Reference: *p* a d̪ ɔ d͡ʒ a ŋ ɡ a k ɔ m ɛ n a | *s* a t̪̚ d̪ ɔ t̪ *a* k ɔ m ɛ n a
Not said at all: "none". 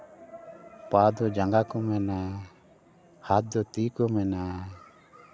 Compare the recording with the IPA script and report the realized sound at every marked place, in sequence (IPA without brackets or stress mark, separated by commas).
p, h, i